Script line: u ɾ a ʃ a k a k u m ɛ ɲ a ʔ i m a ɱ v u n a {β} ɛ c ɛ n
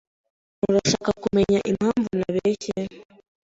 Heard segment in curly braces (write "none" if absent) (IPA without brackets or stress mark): β